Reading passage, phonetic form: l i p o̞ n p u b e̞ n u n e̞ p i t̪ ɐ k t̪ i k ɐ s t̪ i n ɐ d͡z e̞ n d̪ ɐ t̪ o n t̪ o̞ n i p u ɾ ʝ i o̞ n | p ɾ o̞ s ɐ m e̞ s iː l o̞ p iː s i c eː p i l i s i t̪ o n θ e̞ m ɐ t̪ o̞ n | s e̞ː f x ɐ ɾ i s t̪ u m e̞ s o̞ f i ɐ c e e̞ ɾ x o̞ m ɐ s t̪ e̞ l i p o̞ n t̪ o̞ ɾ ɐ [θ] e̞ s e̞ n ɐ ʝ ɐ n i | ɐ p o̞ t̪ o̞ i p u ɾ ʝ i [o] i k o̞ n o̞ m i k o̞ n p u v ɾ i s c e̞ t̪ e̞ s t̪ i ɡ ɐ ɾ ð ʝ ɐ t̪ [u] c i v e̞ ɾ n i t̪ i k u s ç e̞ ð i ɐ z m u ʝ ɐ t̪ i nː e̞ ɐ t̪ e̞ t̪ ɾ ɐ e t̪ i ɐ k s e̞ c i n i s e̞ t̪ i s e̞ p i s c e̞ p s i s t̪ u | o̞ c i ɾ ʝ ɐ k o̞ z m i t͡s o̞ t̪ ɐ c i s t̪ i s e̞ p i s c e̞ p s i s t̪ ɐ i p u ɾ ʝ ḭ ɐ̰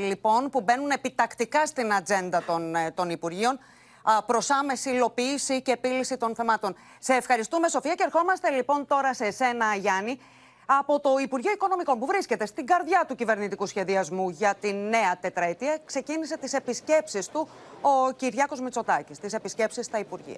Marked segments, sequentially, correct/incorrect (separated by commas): incorrect, correct, correct